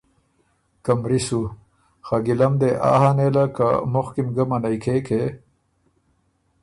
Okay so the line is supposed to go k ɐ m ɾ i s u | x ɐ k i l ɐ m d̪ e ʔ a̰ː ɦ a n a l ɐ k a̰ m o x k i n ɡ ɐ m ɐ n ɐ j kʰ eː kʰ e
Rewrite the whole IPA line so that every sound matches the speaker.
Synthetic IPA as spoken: k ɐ m ɾ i s u | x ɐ ɡ i l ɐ m d̪ e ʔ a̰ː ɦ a n e l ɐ k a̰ m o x k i m ɡ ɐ m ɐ n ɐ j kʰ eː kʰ e